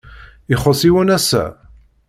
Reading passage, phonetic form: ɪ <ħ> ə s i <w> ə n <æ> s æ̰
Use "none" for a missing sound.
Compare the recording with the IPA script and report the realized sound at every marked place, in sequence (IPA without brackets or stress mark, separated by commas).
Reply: χ, w, æ